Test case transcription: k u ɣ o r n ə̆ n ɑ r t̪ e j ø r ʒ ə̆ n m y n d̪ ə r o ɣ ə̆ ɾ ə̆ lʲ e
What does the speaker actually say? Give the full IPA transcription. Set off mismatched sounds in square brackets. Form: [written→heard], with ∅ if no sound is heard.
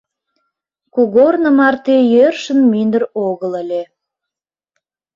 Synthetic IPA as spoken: k u ɣ o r n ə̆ [n→m] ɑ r t̪ e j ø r [ʒ→ʃ] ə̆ n m y n d̪ ə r o ɣ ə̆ [ɾ→l] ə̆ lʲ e